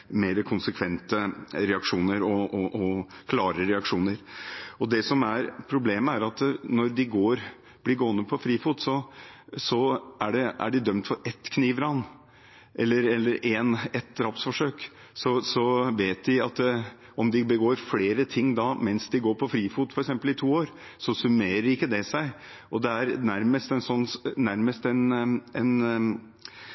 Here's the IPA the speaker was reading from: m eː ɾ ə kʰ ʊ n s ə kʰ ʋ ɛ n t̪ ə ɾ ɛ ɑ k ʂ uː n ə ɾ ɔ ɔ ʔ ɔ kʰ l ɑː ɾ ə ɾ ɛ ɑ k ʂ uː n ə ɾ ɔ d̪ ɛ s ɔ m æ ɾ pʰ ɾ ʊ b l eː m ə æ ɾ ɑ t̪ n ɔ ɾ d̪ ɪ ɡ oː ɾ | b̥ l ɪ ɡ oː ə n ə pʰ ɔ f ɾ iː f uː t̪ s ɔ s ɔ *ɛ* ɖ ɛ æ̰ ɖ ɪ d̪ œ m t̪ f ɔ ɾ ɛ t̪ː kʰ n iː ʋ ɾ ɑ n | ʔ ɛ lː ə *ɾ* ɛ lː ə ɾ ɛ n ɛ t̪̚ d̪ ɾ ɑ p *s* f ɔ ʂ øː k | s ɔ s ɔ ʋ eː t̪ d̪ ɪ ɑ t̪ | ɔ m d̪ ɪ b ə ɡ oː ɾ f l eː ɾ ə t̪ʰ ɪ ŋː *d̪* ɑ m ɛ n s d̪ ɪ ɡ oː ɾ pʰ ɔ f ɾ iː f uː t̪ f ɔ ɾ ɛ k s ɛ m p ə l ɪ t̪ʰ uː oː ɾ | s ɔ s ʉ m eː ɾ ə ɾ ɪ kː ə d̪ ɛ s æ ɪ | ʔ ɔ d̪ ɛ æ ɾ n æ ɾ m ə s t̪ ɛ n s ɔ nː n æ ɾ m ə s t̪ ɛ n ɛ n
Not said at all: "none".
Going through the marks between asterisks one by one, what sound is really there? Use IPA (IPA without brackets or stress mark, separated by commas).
æ, ɾ, s, d̪